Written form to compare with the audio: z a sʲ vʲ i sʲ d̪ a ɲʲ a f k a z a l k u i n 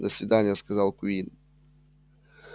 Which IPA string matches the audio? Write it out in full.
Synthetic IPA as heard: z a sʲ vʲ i d̪ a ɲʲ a s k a z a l k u i n